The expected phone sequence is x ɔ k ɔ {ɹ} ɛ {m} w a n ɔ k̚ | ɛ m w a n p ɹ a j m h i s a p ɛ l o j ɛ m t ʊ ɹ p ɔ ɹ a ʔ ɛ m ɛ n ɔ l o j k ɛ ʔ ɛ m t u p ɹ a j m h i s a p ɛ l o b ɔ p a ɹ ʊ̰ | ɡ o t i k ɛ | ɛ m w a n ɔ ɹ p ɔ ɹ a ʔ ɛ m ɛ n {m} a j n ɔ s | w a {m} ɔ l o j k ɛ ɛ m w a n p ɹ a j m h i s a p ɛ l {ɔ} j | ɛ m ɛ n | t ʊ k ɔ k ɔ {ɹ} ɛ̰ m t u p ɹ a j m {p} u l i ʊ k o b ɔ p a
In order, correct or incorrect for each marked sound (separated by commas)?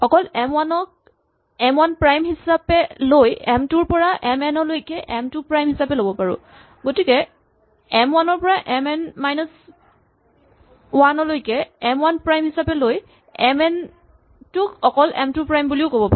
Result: incorrect, correct, correct, incorrect, incorrect, incorrect, incorrect